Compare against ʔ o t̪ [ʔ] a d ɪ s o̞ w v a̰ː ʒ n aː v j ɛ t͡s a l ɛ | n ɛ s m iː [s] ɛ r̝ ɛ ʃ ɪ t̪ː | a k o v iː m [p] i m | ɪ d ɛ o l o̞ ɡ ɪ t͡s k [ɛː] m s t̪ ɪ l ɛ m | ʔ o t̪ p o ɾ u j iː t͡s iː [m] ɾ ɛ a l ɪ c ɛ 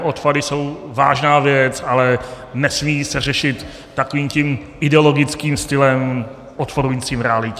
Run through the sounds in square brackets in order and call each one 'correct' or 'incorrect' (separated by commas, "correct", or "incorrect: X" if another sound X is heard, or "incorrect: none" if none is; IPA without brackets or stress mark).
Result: incorrect: p, correct, incorrect: c, incorrect: iː, correct